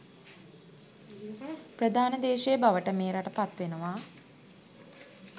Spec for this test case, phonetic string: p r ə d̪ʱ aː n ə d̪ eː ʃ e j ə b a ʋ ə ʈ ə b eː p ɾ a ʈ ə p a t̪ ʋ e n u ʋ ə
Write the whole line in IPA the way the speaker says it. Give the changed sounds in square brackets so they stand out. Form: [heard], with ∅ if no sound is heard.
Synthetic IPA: p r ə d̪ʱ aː n ə d̪ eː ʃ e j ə b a ʋ ə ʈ ə [m] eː [∅] ɾ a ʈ ə p a t̪ ʋ e n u ʋ [a]

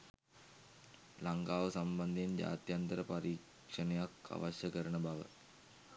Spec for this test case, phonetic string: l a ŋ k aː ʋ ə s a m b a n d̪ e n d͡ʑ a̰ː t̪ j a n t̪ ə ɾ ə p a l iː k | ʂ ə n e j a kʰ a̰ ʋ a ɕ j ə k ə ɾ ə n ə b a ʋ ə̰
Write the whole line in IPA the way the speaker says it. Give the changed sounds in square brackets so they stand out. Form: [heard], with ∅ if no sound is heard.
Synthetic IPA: l a ŋ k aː ʋ ə s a m b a n d̪ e n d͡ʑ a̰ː t̪ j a n t̪ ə ɾ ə p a [ɾ] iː k | ʂ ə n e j a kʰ a̰ ʋ a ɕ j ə k ə ɾ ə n ə b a ʋ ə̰

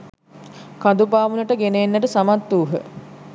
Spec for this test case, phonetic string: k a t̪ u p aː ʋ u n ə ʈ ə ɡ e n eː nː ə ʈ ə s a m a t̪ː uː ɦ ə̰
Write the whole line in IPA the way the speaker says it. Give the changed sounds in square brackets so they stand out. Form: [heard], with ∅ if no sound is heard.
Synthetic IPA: k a [d̪] u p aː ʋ u n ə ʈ ə ɡ e n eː nː ə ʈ ə s a m a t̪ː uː ɦ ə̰

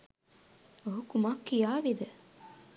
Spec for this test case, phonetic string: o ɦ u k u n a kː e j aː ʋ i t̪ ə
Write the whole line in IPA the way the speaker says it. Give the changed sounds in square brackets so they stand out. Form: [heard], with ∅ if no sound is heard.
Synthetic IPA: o ɦ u k u [m] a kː [i] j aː ʋ i [d̪] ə

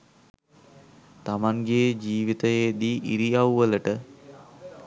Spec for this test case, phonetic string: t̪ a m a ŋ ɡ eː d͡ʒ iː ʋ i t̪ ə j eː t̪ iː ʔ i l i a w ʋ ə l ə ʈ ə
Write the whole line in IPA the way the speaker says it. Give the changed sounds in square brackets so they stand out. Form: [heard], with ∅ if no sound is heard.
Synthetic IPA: t̪ a m a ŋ ɡ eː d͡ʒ iː ʋ i t̪ ə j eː [d̪] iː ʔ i [ɾ] i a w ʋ ə l ə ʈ ə

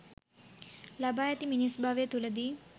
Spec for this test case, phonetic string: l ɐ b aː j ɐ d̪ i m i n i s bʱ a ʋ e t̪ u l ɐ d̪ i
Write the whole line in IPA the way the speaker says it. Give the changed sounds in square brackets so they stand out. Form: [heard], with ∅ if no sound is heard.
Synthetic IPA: l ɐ b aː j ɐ [t̪] i m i n i s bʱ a ʋ e t̪ u l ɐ d̪ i

